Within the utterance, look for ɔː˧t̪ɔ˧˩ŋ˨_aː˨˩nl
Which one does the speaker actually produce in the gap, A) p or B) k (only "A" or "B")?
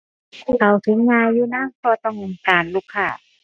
B